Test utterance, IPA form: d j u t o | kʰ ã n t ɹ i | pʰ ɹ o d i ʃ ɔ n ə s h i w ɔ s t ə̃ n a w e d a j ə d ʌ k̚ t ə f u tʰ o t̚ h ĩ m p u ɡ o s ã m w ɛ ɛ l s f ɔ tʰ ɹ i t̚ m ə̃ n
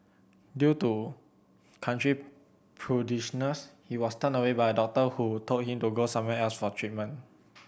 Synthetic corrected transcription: d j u t u | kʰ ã n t ɹ i | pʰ ɹ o d i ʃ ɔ n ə s h i w ɔ s t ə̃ n ə w e b a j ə d ɔ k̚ t ə h u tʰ o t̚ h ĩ m t u ɡ o s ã m w ɛ ɛ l s f ɔ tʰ ɹ i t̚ m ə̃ n